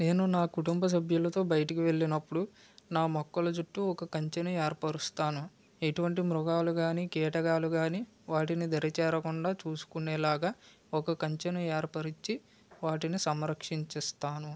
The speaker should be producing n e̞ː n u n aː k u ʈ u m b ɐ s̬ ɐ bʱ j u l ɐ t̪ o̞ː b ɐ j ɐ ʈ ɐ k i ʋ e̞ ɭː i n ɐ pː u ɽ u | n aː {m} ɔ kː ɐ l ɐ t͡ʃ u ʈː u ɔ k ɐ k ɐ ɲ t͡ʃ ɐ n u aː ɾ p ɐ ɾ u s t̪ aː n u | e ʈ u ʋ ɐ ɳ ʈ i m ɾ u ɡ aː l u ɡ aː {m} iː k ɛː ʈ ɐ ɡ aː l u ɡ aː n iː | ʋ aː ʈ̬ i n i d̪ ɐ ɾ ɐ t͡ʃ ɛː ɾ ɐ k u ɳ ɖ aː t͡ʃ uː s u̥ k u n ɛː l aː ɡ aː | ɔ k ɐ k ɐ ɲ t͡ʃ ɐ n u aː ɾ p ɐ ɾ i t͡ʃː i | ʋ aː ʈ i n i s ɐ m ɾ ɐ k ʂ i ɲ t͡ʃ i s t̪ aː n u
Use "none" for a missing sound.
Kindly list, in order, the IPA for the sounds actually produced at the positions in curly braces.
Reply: m, n

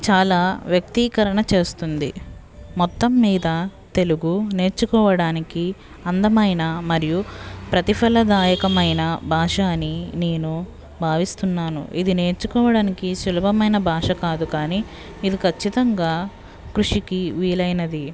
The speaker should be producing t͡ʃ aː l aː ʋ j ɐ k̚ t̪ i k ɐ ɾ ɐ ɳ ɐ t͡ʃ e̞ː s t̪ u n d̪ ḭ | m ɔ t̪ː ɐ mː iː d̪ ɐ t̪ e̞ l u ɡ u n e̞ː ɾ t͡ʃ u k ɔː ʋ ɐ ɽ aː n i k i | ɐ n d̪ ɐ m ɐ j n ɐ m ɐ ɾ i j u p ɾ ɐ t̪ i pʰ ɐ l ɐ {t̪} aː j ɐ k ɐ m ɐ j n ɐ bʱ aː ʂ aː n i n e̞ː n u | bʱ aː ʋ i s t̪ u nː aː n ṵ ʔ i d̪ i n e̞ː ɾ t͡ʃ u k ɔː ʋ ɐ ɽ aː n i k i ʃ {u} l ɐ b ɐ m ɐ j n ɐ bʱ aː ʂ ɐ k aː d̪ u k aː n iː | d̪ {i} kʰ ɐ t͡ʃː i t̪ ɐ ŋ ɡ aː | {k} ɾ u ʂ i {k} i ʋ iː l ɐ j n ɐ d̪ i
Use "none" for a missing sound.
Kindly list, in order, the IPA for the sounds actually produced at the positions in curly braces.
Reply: d̪, u, i, k, k

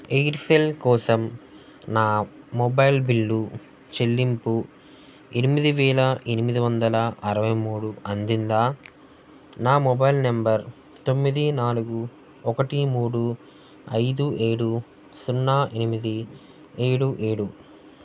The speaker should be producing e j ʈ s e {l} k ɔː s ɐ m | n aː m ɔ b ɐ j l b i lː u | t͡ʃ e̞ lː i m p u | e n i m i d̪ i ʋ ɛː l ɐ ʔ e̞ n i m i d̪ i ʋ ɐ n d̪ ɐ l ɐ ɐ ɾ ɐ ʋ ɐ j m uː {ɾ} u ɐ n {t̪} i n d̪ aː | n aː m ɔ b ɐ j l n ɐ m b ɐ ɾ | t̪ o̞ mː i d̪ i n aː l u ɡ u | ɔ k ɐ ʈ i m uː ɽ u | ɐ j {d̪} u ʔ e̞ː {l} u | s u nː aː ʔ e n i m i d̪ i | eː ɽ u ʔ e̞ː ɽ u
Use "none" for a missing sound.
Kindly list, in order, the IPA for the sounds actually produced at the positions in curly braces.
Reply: l, ɽ, d̪, d̪, ɽ

